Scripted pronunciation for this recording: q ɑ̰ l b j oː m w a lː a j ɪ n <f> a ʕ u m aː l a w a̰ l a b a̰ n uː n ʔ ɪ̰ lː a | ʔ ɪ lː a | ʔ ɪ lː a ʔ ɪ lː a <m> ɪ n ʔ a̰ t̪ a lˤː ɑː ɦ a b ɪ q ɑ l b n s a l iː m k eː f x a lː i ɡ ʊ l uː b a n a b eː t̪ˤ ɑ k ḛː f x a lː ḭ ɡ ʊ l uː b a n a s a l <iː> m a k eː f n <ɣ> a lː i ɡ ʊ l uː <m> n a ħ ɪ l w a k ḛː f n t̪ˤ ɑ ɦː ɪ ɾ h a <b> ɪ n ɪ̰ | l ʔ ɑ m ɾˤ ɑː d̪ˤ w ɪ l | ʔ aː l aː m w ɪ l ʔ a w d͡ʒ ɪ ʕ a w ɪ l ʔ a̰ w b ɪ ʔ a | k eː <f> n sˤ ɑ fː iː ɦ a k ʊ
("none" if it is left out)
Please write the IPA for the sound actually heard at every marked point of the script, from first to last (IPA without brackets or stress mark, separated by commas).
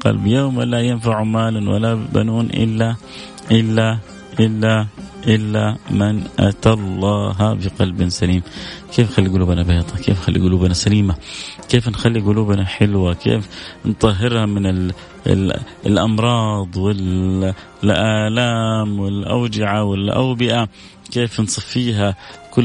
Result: f, m, iː, x, b, m, f